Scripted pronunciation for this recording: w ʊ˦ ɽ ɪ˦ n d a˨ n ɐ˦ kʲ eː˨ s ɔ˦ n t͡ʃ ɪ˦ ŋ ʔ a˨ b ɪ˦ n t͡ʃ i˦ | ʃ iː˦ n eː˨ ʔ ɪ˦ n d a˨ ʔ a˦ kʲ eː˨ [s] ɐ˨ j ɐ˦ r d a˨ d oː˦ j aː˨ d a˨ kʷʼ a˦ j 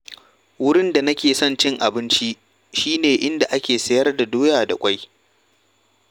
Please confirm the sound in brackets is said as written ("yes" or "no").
yes